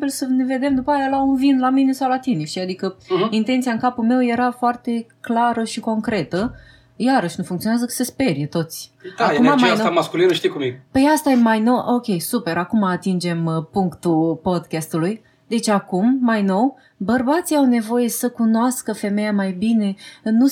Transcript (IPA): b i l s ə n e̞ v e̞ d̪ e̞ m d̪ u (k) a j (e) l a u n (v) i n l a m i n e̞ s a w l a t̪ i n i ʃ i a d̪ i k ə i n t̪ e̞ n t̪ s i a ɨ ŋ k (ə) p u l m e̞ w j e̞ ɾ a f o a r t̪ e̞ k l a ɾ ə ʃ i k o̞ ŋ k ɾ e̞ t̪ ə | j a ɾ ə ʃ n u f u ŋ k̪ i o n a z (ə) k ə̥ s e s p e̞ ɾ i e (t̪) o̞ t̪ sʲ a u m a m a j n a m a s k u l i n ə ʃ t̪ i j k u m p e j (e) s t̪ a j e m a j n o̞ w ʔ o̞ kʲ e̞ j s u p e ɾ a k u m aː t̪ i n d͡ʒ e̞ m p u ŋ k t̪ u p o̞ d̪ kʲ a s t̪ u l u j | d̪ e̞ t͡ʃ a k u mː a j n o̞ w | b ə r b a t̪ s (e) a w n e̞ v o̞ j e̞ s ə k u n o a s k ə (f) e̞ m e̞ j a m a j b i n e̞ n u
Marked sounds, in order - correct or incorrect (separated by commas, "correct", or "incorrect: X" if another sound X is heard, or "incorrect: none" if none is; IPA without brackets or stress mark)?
incorrect: p, incorrect: a, correct, incorrect: a, correct, correct, incorrect: a, incorrect: i, correct